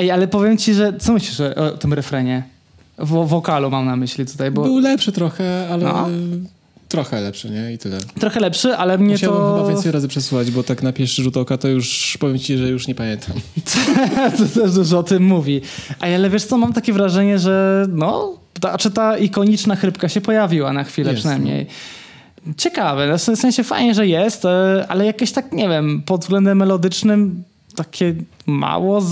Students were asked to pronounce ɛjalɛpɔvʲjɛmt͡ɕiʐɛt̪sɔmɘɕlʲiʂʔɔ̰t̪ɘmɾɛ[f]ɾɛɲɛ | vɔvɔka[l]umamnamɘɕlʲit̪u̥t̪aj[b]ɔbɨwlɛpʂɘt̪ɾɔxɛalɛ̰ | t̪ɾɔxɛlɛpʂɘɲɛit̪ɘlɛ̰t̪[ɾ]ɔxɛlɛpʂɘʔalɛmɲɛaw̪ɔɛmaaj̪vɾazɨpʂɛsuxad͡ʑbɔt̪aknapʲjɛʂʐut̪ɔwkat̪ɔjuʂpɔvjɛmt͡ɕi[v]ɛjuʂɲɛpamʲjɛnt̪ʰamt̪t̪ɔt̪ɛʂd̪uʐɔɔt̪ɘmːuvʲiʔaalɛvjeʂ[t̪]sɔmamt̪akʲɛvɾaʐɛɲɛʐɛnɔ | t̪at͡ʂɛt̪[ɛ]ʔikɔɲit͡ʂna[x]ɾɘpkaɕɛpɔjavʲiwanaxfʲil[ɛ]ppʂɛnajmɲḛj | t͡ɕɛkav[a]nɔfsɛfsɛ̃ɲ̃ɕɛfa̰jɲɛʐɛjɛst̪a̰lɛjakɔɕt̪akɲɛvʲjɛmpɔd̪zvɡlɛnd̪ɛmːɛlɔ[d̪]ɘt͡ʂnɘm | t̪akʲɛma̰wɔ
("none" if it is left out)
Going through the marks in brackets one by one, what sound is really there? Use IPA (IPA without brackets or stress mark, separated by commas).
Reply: f, l, b, ɾ, ʐ, t̪, a, x, ɛ, ɛ, d̪